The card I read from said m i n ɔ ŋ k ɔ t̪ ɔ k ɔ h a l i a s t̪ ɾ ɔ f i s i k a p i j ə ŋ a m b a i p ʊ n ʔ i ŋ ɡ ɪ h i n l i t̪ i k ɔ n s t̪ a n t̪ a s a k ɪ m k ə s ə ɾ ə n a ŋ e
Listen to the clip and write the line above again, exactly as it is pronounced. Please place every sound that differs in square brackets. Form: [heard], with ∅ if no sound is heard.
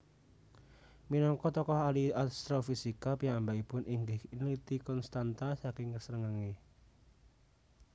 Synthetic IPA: m i n ɔ ŋ k ɔ t̪ ɔ k ɔ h a l i a s t̪ ɾ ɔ f i s i k a p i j [a] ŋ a m b a i p ʊ n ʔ i ŋ ɡ ɪ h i n l i t̪ i k ɔ n s t̪ a n t̪ a s a k ɪ [ŋ] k ə s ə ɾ ə [ŋ] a ŋ e